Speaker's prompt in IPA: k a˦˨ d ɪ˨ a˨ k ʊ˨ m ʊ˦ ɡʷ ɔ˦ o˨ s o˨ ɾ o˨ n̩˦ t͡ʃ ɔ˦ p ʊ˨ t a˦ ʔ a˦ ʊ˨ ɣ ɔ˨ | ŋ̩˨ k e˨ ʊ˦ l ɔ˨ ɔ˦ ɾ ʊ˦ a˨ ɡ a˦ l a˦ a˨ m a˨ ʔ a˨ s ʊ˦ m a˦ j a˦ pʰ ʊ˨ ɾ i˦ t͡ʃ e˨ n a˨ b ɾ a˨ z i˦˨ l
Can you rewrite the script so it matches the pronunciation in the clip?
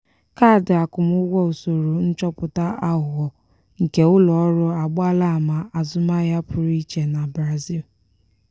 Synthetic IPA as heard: k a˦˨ d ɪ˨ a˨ k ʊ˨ m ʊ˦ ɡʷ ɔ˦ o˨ s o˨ ɾ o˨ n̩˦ t͡ʃ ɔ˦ p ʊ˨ t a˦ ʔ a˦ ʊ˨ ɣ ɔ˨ | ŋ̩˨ k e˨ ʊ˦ l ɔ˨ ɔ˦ ɾ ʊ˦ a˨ ɡ͡b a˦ l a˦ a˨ m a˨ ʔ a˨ z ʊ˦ m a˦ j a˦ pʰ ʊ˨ ɾ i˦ t͡ʃ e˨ n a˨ b ɾ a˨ z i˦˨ l

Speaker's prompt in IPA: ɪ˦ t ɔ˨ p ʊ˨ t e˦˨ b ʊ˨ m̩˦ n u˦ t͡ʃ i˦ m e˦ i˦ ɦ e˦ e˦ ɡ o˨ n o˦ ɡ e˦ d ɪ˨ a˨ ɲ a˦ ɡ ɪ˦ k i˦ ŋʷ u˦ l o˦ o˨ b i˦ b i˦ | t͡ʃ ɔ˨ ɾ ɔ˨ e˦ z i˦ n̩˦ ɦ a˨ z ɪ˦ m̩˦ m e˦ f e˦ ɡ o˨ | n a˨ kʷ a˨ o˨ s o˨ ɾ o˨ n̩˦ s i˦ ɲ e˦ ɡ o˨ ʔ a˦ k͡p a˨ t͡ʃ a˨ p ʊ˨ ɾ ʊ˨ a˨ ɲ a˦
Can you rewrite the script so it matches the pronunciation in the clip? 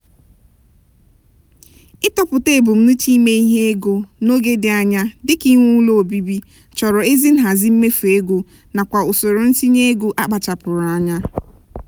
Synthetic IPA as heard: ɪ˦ t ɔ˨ p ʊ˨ t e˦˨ b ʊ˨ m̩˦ n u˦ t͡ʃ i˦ m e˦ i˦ ɦ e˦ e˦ ɡ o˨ n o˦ ɡ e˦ d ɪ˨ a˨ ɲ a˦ d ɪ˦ k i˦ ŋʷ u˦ l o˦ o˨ b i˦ b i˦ | t͡ʃ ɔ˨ ɾ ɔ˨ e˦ z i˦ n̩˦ ɦ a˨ z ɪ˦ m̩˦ m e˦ f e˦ ɡ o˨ | n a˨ kʷ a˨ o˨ s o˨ ɾ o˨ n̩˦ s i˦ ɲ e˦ ɡ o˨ ʔ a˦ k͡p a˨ t͡ʃ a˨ p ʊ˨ ɾ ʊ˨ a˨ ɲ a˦

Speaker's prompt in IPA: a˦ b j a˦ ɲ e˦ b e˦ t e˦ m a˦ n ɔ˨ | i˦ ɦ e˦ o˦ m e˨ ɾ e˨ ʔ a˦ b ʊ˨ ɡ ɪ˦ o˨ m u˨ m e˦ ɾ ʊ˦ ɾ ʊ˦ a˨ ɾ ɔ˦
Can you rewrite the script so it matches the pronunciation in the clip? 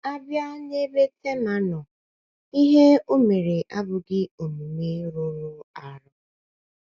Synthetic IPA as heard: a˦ b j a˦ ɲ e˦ b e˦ t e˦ m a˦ n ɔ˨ | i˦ ɦ e˦ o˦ m e˨ ɾ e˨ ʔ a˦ b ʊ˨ ɡ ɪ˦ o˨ m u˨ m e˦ ɾ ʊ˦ ɾ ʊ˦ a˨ ɾ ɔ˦

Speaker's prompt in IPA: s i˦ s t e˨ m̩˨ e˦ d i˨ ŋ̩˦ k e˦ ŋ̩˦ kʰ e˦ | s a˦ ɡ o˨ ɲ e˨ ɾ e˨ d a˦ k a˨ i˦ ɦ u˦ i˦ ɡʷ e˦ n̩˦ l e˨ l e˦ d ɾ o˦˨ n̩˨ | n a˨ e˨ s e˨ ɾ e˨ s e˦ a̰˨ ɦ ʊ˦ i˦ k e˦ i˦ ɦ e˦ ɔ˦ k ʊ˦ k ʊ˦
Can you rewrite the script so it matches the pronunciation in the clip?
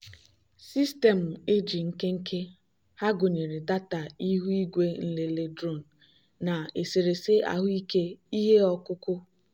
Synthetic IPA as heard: s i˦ s t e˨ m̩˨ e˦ d͡ʒ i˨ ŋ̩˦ k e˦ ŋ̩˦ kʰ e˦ | h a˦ ɡ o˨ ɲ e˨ ɾ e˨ d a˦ t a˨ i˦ ɦ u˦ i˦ ɡʷ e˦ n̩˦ l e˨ l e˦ d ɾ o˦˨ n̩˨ | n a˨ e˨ s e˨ ɾ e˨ s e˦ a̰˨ ɦ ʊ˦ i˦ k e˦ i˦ ɦ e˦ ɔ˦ k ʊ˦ k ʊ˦

